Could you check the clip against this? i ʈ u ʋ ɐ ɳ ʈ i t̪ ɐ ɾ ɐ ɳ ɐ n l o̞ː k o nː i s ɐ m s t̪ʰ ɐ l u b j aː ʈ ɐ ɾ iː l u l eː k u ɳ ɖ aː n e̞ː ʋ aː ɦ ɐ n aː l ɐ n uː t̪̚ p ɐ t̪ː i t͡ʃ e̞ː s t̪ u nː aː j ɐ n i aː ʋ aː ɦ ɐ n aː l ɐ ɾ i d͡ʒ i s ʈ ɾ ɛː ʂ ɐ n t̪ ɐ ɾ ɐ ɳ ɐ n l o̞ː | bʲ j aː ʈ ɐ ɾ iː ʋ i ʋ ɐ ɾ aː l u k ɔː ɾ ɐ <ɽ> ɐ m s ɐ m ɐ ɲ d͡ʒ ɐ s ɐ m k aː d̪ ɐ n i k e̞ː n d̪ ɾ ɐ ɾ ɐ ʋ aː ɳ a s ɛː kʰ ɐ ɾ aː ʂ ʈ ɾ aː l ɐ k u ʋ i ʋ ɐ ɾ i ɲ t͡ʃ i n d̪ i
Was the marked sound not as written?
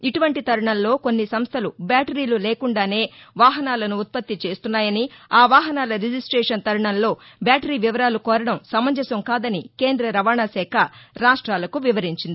no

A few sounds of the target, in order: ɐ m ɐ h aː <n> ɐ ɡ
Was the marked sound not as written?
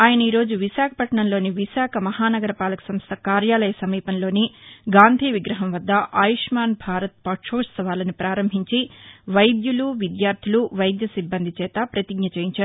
no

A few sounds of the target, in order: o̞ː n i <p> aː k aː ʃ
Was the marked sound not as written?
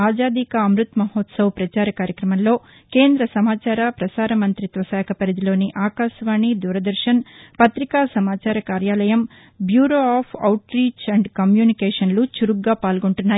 yes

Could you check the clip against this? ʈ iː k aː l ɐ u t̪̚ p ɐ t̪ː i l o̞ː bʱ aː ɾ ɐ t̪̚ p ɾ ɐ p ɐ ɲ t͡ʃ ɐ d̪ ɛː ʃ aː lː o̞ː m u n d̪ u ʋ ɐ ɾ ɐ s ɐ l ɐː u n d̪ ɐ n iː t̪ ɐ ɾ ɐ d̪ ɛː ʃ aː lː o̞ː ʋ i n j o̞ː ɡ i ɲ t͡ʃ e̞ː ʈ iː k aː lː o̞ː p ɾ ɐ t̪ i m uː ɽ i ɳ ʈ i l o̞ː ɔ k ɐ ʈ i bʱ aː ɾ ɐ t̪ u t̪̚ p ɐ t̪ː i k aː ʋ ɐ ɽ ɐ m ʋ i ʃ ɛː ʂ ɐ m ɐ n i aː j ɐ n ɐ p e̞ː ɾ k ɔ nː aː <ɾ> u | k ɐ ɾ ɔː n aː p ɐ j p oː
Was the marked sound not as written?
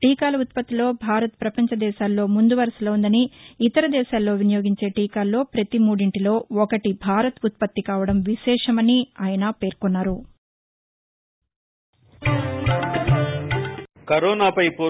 no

